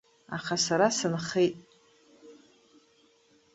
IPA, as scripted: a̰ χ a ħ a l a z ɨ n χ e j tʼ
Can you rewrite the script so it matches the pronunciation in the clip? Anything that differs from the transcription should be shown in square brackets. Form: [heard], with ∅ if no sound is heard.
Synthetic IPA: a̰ χ a [s] a [ɾ] a [s] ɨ n χ e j tʼ